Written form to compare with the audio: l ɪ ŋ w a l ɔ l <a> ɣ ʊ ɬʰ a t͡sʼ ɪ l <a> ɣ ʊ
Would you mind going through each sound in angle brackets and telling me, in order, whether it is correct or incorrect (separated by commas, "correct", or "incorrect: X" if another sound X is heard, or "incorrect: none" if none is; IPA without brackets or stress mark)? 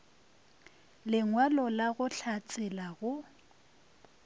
correct, correct